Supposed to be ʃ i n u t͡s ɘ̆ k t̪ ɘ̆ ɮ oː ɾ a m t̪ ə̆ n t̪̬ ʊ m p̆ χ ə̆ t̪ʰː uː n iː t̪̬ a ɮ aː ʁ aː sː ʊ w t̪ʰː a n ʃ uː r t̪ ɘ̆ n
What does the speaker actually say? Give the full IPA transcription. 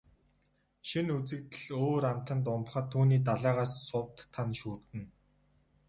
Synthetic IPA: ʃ i n u t͡s ɘ̆ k t̪ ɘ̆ ɮ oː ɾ a m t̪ ə̆ n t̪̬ ʊ m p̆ χ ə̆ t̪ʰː uː n iː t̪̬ a ɮ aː ʁ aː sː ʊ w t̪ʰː a n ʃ uː r t̪ ɘ̆ n